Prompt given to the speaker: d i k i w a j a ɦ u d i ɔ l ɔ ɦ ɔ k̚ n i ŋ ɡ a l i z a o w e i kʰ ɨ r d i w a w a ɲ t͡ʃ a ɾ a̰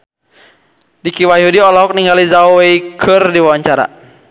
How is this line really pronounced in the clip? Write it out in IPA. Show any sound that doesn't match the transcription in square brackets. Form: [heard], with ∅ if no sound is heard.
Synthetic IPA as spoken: d i k i w a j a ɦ u d i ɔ l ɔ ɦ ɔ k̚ n i ŋ ɡ a l i z a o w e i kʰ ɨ r d i w a w a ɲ t͡ʃ a ɾ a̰

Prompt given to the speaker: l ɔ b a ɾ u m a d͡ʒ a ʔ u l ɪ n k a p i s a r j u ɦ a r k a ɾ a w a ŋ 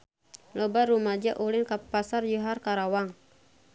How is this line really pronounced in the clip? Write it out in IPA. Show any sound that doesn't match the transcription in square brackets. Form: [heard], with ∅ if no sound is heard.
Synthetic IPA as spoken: l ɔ b a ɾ u m a d͡ʒ a ʔ u l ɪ n k a p [a] s a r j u ɦ a r k a ɾ a w a ŋ

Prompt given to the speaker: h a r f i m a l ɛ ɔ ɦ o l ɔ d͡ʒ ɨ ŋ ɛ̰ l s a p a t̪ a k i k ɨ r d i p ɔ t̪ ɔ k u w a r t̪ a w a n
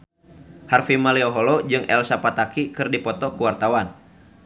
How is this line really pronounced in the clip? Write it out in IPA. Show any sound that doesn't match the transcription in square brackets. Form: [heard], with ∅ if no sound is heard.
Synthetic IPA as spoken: h a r f i m a l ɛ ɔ ɦ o l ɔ d͡ʒ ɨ ŋ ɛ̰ l s a p a t̪ a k i k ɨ r d i p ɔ t̪ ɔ k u w a r t̪ a w a n

